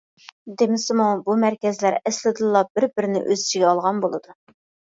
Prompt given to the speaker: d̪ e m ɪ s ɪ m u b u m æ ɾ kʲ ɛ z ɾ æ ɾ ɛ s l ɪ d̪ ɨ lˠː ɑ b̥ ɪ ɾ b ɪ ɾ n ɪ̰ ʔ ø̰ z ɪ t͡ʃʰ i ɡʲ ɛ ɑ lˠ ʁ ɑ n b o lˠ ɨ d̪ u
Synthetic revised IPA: d̪ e m ɪ s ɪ m u b u m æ ɾ kʲ ɛ z l æ ɾ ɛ s l ɪ d̪ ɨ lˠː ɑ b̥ ɪ ɾ b ɪ ɾ n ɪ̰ ʔ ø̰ z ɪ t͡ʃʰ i ɡʲ ɛ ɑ lˠ ʁ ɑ n b o lˠ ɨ d̪ u

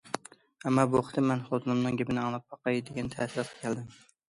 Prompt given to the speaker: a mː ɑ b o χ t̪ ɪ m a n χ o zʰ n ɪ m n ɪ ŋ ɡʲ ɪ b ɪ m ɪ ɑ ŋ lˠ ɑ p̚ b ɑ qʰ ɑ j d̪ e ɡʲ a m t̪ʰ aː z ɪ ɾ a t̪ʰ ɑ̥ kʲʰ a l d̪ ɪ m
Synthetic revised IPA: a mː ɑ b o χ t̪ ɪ m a n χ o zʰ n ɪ m n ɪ ŋ ɡʲ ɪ b ɪ n ɪ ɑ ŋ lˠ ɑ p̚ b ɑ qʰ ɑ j d̪ e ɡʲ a n t̪ʰ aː s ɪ ɾ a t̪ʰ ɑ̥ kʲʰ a l d̪ ɪ m

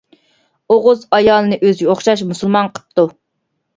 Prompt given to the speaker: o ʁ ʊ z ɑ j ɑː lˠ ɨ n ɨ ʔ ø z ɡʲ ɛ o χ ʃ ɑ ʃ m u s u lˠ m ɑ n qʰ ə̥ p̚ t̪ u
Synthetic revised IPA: o ʁ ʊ z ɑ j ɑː lˠ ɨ n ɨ ʔ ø z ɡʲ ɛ o χ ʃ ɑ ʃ m u s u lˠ m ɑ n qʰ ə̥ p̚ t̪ u

